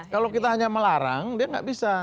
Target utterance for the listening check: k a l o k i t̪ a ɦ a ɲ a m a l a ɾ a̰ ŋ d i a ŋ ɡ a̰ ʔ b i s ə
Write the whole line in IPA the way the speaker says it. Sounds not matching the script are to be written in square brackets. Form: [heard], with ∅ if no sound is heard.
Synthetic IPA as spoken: k a l o k i t̪ a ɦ a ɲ a m [ə] l a ɾ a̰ ŋ d i a ŋ ɡ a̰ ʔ b i s [a]

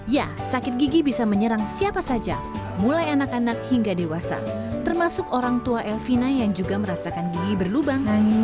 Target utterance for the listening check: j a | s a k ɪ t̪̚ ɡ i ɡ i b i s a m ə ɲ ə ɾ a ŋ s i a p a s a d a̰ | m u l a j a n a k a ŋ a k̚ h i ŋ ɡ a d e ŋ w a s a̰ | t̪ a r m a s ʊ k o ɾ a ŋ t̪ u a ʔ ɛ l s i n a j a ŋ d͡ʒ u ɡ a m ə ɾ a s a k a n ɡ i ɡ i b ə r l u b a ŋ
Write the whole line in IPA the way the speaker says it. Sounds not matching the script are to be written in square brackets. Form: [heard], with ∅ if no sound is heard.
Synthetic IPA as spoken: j a | s a k ɪ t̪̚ ɡ i ɡ i b i s a m ə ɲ ə ɾ a ŋ s i a p a s a [d͡ʒ] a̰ | m u l a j a n a k a [n] a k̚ h i ŋ ɡ a d e [∅] w a s a̰ | t̪ [ə] r m a s ʊ k o ɾ a ŋ t̪ u a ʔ ɛ l [f] i n a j a ŋ d͡ʒ u ɡ a m ə ɾ a s a k a n ɡ i ɡ i b ə r l u b a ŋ

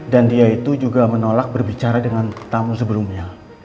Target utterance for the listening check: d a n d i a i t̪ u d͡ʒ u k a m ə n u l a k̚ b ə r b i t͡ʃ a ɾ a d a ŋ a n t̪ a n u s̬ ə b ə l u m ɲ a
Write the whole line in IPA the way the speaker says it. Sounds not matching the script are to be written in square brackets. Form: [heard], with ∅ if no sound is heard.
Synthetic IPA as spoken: d a n d i a i t̪ u d͡ʒ u [ɡ] a m ə n [o] l a k̚ b ə r b i t͡ʃ a ɾ a d [ə] ŋ a n t̪ a [m] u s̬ ə b ə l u m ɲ a

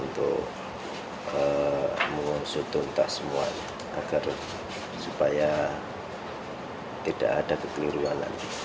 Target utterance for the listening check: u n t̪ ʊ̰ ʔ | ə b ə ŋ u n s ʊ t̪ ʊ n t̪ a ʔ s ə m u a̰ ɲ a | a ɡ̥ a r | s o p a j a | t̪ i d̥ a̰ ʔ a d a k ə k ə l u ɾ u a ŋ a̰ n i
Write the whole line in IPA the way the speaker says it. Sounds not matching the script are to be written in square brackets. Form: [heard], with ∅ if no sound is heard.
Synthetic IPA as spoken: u n t̪ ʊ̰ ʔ | ə [m] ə ŋ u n s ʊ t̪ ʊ n t̪ a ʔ s ə m u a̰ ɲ a | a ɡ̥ a r | s [u] p a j a | t̪ i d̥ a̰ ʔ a d a k ə k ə l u ɾ u a [n] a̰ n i

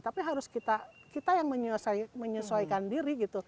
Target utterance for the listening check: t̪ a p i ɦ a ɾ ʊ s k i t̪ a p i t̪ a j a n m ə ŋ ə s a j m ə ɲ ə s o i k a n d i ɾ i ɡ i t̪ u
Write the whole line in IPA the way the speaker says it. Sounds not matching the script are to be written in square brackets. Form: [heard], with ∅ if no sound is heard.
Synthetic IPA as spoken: t̪ a p i ɦ a ɾ ʊ s k i t̪ a [k] i t̪ a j a [ŋ] m ə [ɲ] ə s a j m ə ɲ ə s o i k a n d i ɾ i ɡ i t̪ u

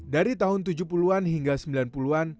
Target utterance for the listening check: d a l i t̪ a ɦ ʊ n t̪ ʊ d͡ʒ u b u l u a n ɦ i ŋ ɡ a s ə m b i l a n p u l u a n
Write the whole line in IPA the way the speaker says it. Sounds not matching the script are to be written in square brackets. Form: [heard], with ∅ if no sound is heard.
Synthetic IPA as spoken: d a [ɾ] i t̪ a ɦ ʊ n t̪ [u] d͡ʒ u [p] u l u a n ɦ i ŋ ɡ a s ə m b i l a n p u l u a n

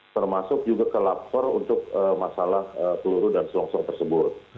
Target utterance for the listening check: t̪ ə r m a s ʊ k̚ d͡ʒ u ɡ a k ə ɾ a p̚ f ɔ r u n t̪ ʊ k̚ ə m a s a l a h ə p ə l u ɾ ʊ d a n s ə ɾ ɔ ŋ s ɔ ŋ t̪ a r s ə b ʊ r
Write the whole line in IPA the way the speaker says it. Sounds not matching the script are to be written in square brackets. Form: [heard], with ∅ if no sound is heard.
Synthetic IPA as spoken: t̪ ə r m a s ʊ k̚ d͡ʒ u ɡ a k ə [l] a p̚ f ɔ r u n t̪ ʊ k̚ ə m a s a l a h ə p ə l u ɾ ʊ d a n s ə [l] ɔ ŋ s ɔ ŋ t̪ [ə] r s ə b ʊ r

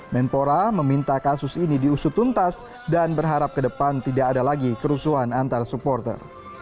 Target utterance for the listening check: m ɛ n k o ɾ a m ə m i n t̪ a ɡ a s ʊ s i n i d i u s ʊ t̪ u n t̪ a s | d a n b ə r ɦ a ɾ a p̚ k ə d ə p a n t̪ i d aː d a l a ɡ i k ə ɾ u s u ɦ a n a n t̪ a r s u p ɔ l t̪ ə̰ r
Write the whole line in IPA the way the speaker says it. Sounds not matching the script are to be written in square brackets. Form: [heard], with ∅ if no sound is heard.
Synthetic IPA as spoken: m ɛ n [p] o ɾ a m ə m i n t̪ a [k] a s ʊ s i n i d i u s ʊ t̪ u n t̪ a s | d a n b ə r ɦ a ɾ a p̚ k ə d ə p a n t̪ i d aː d a l a ɡ i k ə ɾ u s u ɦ a n a n t̪ a r s u p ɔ [r] t̪ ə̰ r

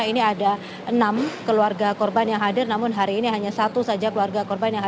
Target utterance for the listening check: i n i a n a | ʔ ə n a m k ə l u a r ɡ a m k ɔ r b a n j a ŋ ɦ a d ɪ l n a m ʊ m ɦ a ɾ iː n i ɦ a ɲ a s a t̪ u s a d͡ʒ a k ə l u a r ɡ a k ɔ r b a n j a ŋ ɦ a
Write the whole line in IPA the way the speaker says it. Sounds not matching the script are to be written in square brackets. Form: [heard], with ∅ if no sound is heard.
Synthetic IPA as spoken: i n i a [d] a | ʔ ə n a m k ə l u a r ɡ a [∅] k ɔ r b a n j a ŋ ɦ a d ɪ [r] n a m ʊ [n] ɦ a ɾ iː n i ɦ a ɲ a s a t̪ u s a d͡ʒ a k ə l u a r ɡ a k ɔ r b a n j a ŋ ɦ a

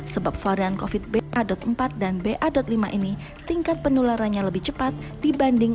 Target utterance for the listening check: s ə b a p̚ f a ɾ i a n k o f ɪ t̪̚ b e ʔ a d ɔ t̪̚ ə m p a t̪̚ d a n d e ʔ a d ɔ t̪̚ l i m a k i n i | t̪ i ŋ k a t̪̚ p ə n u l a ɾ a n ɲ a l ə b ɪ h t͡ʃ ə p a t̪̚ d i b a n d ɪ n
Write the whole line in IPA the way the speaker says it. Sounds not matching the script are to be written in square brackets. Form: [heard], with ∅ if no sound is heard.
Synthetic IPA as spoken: s ə b a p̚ f a ɾ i a n k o f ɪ t̪̚ b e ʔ a d ɔ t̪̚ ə m p a t̪̚ d a n [b] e ʔ a d ɔ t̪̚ l i m a [ʔ] i n i | t̪ i ŋ k a t̪̚ p ə n u l a ɾ a n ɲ a l ə b ɪ h t͡ʃ ə p a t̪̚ d i b a n d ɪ [ŋ]

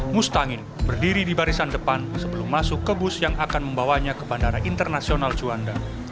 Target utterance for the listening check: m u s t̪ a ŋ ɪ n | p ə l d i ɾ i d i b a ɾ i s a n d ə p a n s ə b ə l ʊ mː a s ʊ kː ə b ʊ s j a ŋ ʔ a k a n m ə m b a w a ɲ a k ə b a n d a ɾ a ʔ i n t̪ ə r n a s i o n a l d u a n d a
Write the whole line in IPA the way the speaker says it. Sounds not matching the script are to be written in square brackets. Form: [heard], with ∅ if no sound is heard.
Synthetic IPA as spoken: m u s t̪ a ŋ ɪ n | [b] ə [r] d i ɾ i d i b a ɾ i s a n d ə p a n s ə b ə l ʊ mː a s ʊ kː ə b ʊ s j a ŋ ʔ a k a n m ə m b a w a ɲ a k ə b a n d a ɾ a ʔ i n t̪ ə r n a s i o n a l [d͡ʒ] u a n d a

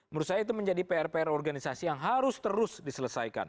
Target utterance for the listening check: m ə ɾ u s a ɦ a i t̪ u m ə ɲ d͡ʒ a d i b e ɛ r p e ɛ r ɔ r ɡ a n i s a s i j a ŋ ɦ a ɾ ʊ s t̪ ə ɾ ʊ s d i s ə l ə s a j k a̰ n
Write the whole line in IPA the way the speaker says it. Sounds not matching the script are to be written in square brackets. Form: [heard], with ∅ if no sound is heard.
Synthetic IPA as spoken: m ə ɾ u s a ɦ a i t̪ u m ə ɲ d͡ʒ a d i [p] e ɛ r p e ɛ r ɔ r ɡ a n i s a s i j a ŋ ɦ a ɾ ʊ s t̪ ə ɾ ʊ s d i s ə l ə s a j k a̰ n

